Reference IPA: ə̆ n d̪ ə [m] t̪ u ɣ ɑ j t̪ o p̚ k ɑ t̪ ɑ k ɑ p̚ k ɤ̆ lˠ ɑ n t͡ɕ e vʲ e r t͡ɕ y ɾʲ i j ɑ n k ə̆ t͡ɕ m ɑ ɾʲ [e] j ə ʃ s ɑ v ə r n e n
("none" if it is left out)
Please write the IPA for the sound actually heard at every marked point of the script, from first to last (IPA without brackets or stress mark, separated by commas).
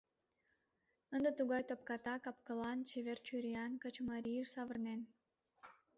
none, i